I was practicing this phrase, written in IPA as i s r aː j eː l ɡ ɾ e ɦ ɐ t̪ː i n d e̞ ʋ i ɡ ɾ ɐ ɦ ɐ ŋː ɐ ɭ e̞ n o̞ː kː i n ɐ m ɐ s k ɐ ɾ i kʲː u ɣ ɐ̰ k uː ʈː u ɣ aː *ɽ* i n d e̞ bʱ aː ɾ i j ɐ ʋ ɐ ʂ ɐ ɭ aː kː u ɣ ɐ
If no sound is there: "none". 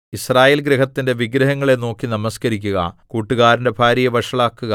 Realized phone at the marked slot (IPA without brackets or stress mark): ɾ